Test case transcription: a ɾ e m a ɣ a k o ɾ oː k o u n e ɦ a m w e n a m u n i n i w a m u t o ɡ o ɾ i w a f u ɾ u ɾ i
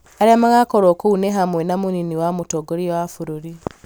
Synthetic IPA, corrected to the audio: a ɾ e m a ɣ a k o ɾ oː k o u n e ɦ a m w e n a m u n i n i w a m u t o ɡ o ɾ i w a f u ɾ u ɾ i